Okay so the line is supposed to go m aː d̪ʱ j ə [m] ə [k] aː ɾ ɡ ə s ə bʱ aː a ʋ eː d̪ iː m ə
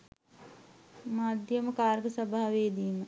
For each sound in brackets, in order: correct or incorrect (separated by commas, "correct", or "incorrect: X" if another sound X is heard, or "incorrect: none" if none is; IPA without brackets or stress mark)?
correct, correct